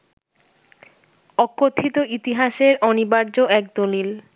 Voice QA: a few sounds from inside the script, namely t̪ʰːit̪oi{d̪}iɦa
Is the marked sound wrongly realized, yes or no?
yes